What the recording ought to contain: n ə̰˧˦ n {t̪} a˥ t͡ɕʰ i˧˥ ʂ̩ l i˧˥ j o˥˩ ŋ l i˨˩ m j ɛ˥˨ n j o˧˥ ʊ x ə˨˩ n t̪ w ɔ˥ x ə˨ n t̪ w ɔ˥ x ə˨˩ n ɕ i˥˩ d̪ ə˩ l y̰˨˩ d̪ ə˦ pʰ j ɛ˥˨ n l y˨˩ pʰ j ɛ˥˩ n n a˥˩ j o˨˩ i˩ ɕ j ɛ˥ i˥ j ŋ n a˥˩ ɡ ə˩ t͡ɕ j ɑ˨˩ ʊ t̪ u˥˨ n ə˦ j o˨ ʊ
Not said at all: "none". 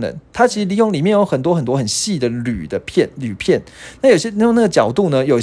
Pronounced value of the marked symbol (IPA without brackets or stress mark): t̪ʰ